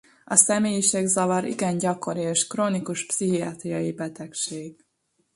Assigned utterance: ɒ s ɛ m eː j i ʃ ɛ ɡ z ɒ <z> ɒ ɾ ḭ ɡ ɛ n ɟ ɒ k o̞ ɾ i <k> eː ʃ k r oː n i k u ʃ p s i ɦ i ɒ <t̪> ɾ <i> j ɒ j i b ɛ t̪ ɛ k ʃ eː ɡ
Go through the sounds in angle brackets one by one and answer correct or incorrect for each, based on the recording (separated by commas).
incorrect, incorrect, correct, correct